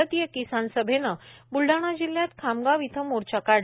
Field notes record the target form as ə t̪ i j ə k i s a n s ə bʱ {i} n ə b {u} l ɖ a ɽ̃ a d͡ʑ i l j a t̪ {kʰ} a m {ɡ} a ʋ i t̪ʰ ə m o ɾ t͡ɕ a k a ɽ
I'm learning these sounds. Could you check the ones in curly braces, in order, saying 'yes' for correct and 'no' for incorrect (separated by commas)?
no, yes, yes, yes